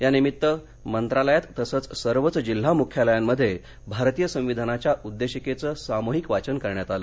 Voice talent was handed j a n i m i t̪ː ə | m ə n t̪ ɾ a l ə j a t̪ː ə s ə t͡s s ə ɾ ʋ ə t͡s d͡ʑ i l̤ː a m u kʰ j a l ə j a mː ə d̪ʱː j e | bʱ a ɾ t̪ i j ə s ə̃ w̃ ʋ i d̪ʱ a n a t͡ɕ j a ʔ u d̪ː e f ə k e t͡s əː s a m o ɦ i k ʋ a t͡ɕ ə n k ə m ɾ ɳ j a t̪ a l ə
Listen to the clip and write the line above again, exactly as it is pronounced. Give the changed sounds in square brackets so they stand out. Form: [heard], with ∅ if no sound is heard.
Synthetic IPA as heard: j a n i m i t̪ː ə | m ə n t̪ ɾ a l ə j a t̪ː ə s ə t͡s s ə ɾ ʋ ə t͡s d͡ʑ i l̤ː a m u kʰ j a l ə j a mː ə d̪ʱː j e | bʱ a ɾ t̪ i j ə s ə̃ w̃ ʋ i d̪ʱ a n a t͡ɕ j a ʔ u d̪ː e [ɕ] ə k e t͡s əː s a m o ɦ i k ʋ a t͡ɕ ə n k ə [∅] ɾ ɳ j a t̪ a l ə

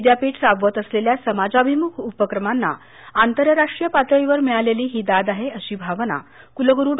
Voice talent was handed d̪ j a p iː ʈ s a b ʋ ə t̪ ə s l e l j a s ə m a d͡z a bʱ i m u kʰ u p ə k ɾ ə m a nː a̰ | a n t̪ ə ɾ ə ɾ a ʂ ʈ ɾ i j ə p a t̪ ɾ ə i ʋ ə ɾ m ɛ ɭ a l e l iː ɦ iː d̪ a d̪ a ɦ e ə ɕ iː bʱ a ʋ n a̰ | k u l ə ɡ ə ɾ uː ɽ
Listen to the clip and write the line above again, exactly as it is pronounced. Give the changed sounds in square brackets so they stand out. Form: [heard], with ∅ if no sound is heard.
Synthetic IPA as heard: d̪ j a p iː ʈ s a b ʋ ə t̪ ə s l e l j a s ə m a d͡z a bʱ i m u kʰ u p ə k ɾ ə m a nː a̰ | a n t̪ ə ɾ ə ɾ a ʂ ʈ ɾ i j ə p a t̪ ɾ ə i ʋ ə ɾ m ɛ ɭ a l e l iː ɦ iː d̪ a d̪ a ɦ e ə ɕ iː bʱ a ʋ n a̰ | k u l ə ɡ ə ɾ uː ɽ

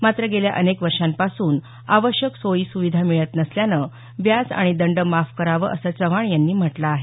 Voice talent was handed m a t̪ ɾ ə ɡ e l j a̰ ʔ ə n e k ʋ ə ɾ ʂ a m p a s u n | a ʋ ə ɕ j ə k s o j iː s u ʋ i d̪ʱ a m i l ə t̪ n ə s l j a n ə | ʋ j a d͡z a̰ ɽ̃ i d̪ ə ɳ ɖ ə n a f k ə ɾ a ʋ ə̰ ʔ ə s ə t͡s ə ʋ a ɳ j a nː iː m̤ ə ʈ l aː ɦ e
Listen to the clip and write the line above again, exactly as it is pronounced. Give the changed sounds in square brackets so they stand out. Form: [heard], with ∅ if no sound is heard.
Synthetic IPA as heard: m a t̪ ɾ ə ɡ e l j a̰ ʔ ə n e k ʋ ə ɾ ʂ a m p a s [uː] n | a ʋ ə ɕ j ə k s o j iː s u ʋ i d̪ʱ a m i [ɭ] ə t̪ n ə s l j a n ə | ʋ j a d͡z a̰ ɽ̃ i d̪ ə ɳ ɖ ə [m] a f k ə ɾ a ʋ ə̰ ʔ ə s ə t͡s ə ʋ a ɳ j a nː iː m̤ ə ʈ l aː ɦ e

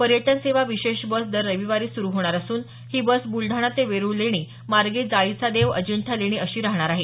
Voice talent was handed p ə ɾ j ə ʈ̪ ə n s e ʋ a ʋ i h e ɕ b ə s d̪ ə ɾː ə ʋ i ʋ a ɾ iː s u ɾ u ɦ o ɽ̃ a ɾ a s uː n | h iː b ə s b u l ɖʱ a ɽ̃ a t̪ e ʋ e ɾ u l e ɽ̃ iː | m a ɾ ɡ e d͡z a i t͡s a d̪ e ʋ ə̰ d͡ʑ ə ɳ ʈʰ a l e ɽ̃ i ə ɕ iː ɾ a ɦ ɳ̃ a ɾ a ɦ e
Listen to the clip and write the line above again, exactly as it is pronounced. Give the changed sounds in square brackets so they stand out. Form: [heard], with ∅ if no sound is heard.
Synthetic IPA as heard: p ə ɾ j ə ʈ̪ ə n s e ʋ a ʋ i [ɕ] e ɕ b ə s d̪ ə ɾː ə ʋ i ʋ a ɾ iː s u ɾ u ɦ o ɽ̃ a ɾ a s uː n | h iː b ə s b u l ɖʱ a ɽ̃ a t̪ e ʋ e ɾ u l e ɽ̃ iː | m a ɾ ɡ e d͡z a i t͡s a d̪ e ʋ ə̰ d͡ʑ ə ɳ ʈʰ a l e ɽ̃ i ə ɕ iː ɾ a ɦ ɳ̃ a ɾ a ɦ e

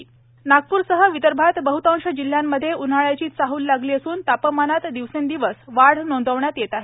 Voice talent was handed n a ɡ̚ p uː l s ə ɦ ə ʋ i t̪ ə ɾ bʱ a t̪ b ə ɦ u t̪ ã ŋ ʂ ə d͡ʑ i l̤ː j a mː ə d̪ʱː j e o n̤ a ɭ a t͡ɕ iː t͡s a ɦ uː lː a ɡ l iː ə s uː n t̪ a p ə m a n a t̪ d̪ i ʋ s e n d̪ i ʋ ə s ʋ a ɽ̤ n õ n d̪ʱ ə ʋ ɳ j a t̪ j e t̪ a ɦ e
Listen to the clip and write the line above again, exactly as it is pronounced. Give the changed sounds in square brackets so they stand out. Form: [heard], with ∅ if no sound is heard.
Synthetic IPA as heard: n a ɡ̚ p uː [ɾ] s ə ɦ ə ʋ i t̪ ə ɾ bʱ a t̪ b ə ɦ u t̪ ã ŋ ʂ ə d͡ʑ i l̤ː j a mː ə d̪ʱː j e [u] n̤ a ɭ a t͡ɕ iː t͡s a ɦ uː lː a ɡ l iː ə s uː n t̪ a p ə m a n a t̪ d̪ i ʋ s e n d̪ i ʋ ə s ʋ a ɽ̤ n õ n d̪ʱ ə ʋ ɳ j a t̪ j e t̪ a ɦ e

